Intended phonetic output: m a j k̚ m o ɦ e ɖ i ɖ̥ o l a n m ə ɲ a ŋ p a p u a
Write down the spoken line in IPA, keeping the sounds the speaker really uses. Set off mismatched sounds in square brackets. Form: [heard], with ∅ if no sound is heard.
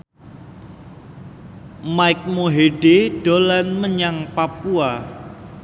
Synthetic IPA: m a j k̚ m o ɦ e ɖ [e] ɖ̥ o l a n m ə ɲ a ŋ p a p u a

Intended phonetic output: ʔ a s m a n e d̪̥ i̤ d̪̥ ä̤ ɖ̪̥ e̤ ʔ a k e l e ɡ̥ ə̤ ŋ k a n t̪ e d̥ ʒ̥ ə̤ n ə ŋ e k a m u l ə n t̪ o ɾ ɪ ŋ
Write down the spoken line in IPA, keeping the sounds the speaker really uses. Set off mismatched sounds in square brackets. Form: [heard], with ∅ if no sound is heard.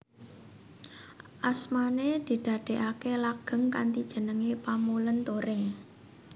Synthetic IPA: ʔ a s m a n e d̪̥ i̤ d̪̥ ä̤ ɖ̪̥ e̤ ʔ a k e l [a] ɡ̥ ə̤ ŋ k a n t̪ [i] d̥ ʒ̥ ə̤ n ə ŋ e [p] a m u l ə n t̪ o ɾ ɪ ŋ

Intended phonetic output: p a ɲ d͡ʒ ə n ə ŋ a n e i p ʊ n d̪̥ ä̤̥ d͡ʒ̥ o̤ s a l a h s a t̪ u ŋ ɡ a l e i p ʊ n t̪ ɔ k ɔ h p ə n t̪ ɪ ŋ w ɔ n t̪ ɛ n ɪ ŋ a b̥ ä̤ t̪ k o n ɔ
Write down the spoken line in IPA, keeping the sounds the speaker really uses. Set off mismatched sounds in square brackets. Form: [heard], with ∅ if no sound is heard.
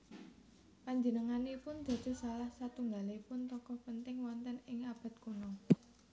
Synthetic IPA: p a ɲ d͡ʒ ə n ə ŋ a n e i p ʊ n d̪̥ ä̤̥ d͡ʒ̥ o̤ s a l a h s a t̪ u ŋ ɡ a l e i p ʊ n t̪ ɔ k ɔ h p ə n t̪ ɪ ŋ w ɔ n t̪ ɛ n ɪ ŋ a b̥ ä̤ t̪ k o n ɔ

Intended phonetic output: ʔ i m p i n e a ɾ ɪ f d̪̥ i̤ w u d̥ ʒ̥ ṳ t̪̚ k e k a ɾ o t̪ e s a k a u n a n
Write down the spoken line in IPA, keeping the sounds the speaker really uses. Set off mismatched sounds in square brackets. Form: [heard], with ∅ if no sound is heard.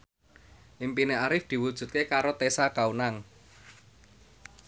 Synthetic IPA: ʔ i m p i n e a ɾ ɪ f d̪̥ i̤ w u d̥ ʒ̥ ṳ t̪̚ k e k a ɾ o t̪ e s a k a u n a [ŋ]

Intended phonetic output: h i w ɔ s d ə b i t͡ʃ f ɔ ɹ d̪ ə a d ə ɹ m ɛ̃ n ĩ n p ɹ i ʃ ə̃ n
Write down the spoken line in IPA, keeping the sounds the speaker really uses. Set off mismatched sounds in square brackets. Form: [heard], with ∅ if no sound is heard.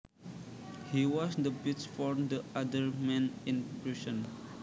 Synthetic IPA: h i w ɔ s d ə b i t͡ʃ f ɔ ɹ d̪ ə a d ə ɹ m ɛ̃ n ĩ n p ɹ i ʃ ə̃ n

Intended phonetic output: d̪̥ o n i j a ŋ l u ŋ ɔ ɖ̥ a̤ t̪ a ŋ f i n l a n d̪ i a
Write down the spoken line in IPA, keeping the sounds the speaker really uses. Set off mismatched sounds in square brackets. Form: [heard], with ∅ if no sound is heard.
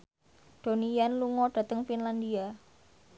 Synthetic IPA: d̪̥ o n i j a [n] l u ŋ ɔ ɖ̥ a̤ t̪ [ə] ŋ f i n l a n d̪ i a

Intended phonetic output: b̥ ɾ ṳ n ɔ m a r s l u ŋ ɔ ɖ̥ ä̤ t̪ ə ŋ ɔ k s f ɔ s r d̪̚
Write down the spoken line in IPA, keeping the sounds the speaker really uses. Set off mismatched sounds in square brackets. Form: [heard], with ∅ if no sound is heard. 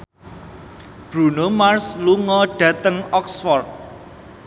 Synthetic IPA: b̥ ɾ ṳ n [o] m a r s l u ŋ ɔ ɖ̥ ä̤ t̪ ə ŋ ɔ k s f ɔ [∅] r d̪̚

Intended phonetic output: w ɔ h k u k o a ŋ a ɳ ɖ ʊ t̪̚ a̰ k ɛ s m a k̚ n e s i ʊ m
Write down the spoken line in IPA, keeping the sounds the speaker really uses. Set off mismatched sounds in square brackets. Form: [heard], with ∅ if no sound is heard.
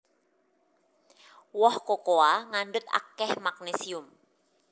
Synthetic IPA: w ɔ h k [o] k o a ŋ a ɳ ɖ ʊ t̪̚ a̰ k ɛ [h] m a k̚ n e s i ʊ m

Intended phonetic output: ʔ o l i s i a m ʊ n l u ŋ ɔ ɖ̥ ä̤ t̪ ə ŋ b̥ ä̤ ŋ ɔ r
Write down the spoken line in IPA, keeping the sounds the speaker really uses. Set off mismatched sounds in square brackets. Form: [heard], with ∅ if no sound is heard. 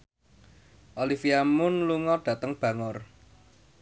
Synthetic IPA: ʔ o l i [f] i a m ʊ n l u ŋ ɔ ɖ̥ ä̤ t̪ ə ŋ b̥ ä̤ ŋ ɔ r

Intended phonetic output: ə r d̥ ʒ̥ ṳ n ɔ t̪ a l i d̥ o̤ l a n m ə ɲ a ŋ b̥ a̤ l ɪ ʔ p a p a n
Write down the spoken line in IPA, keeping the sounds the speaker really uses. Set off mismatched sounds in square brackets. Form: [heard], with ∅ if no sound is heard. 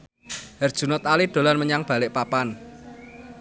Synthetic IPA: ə r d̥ ʒ̥ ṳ n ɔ t̪ a l i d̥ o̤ l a n m ə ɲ a ŋ b̥ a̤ l ɪ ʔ p a p a n

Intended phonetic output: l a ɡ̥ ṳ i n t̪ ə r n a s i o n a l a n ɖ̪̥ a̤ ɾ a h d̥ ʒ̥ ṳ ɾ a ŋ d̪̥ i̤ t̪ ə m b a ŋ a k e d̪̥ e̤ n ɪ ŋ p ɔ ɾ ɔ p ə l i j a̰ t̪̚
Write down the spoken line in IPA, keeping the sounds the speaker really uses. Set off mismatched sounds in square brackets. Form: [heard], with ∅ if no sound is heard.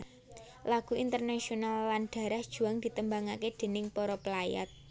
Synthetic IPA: l a ɡ̥ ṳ i n t̪ ə r n a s i o n a [lː] a n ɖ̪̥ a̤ ɾ a h d̥ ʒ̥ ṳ [∅] a ŋ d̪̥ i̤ t̪ ə m b a ŋ a k e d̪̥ e̤ n ɪ ŋ p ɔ ɾ ɔ p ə l [a] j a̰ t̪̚

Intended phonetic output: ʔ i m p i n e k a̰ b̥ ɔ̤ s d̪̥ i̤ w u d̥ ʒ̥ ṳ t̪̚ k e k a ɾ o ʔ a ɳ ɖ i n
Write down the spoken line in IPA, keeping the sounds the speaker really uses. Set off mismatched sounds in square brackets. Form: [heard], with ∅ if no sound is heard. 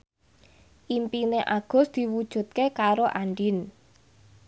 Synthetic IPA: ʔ i m p i n e [ʔ] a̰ [ɡ̥] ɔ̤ s d̪̥ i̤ w u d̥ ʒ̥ ṳ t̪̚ k e k a ɾ o ʔ a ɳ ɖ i n

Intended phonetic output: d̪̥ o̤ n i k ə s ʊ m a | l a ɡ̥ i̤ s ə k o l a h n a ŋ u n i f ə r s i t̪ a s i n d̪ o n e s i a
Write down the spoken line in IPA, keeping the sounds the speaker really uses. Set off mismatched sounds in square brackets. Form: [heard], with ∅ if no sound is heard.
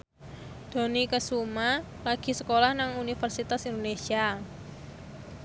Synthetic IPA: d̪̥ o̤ n i k ə s [u] m a | l a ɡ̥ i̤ s ə k o l a h n a ŋ u n i f ə r s i t̪ a s i n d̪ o n e s i a

